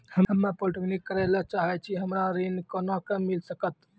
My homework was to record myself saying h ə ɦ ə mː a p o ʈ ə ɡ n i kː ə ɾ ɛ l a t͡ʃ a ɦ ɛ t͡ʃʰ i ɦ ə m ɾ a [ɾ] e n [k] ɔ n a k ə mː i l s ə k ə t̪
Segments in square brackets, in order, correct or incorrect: correct, correct

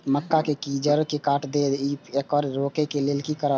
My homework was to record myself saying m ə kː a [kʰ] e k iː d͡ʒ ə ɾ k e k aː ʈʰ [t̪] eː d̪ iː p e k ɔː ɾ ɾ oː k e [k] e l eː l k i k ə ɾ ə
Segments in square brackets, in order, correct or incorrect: incorrect, incorrect, correct

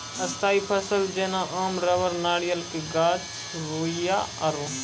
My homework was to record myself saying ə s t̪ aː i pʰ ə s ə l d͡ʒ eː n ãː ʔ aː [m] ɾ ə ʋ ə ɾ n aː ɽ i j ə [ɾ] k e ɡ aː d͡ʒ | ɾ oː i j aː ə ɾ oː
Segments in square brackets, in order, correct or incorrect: correct, incorrect

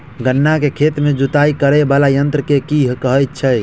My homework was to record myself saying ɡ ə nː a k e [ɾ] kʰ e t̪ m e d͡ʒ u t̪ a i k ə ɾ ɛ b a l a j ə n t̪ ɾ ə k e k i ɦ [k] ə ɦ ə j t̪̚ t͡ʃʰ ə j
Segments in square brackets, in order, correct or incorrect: incorrect, correct

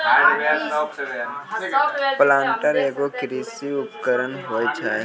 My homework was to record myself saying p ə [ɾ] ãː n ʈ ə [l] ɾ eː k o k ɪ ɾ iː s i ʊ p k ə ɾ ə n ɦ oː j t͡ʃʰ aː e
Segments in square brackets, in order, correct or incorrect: incorrect, incorrect

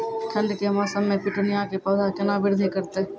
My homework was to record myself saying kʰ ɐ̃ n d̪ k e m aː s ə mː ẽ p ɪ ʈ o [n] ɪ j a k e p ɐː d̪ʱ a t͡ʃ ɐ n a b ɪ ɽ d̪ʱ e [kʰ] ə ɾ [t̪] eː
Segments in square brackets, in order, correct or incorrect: correct, incorrect, correct

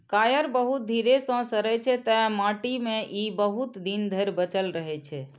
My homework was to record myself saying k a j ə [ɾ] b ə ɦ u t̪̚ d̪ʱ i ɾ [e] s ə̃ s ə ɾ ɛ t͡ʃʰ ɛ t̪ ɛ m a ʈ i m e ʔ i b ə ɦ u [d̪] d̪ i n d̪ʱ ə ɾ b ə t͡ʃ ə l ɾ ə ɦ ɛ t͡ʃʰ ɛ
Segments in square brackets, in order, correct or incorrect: correct, correct, incorrect

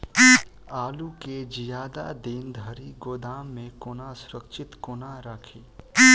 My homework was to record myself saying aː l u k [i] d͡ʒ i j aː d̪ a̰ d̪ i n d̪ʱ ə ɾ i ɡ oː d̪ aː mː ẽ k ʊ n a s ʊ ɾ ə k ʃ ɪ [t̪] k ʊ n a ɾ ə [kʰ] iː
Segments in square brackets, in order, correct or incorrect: incorrect, correct, correct

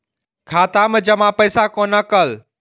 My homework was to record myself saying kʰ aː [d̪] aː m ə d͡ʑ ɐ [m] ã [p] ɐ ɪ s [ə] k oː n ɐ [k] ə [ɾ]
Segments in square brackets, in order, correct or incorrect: incorrect, correct, correct, incorrect, correct, incorrect

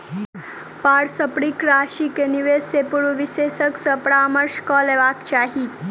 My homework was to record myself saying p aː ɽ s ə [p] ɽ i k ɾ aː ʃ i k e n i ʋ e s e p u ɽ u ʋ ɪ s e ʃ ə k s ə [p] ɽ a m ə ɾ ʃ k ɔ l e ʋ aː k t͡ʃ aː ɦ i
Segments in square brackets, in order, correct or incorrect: correct, correct

